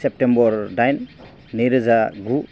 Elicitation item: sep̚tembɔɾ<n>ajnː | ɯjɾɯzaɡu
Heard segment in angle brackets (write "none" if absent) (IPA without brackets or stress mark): d